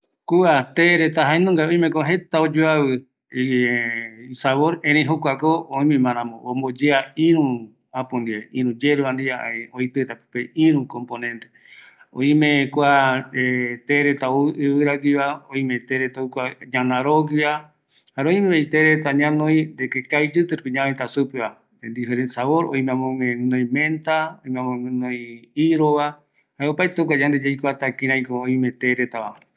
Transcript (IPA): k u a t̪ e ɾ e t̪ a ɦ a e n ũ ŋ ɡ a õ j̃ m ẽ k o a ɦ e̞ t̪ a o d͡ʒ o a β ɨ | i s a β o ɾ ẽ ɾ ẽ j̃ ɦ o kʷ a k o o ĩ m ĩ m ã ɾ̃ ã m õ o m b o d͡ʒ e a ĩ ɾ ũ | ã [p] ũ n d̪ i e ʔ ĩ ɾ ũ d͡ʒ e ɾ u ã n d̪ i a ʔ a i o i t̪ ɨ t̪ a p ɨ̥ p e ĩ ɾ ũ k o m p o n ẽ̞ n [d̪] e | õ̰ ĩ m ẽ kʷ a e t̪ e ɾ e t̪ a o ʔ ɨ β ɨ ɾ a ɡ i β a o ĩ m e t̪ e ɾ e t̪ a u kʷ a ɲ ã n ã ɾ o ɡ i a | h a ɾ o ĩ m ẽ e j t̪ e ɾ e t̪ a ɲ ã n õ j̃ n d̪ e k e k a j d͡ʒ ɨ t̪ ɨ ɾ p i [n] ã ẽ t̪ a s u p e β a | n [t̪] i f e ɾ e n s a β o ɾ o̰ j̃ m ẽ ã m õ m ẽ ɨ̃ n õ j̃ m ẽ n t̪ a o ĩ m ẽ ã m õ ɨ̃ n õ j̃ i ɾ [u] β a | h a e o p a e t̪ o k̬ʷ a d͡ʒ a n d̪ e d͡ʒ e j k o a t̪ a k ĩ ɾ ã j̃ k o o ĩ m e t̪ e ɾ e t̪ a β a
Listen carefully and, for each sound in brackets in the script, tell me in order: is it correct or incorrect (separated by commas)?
correct, incorrect, incorrect, incorrect, incorrect